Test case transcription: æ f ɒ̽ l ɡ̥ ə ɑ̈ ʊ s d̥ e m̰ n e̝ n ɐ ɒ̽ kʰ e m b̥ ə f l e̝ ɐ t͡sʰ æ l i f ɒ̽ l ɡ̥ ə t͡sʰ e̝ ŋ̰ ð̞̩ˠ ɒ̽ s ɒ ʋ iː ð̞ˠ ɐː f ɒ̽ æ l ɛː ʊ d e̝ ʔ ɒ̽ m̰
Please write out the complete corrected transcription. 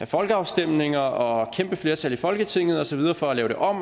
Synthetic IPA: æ f ɒ̽ l ɡ̥ ə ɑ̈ ʊ s d̥ e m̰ n e̝ ŋ ɐ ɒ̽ kʰ e m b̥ ə f l e̝ ɐ t͡sʰ æ l i f ɒ̽ l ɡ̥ ə t͡sʰ e̝ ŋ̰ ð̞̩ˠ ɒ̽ s ɒ ʋ i ð̞ˠ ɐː f ɒ̽ æ l ɛː ʊ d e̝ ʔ ɒ̽ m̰